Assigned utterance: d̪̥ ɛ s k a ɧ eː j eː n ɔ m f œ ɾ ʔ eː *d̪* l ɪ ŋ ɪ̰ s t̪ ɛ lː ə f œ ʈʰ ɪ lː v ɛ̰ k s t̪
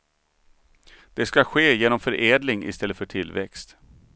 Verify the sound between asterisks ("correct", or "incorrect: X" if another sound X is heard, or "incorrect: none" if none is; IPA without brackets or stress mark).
correct